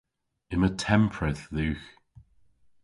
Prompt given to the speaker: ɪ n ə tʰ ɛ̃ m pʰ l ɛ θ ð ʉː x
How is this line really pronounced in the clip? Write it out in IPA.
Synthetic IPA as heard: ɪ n ə tʰ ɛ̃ m pʰ ɹ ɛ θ ð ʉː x